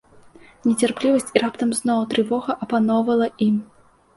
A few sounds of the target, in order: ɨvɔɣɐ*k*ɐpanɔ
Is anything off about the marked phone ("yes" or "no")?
yes